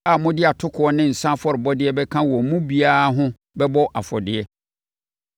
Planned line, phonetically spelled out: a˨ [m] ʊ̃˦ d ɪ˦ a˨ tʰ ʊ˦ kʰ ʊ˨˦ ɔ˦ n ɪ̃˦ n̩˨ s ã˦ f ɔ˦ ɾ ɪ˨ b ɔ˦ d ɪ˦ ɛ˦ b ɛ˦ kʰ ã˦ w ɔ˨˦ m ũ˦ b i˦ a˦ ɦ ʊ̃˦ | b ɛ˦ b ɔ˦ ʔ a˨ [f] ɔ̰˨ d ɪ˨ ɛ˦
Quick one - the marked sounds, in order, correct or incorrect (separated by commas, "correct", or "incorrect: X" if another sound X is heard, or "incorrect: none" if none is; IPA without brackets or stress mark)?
correct, correct